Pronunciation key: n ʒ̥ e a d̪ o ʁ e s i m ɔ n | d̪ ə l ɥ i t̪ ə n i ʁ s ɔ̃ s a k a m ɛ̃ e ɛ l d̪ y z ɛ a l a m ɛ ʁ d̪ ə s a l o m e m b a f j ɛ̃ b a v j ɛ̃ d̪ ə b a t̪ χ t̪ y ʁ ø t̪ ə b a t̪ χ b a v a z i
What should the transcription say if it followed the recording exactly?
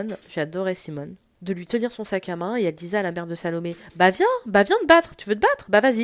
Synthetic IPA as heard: n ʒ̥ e a d̪ ɔ ʁ e s i m ɔ n | d̪ ə l ɥ i t̪ ə n i ʁ s ɔ̃ s a k a m ɛ̃ e ɛ l d̪ i z ɛ a l a m ɛ ʁ d̪ ə s a l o m e b a v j ɛ̃ b a v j ɛ̃ d̪ ə b a t̪ χ t̪ y v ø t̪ ə b a t̪ χ b a v a z i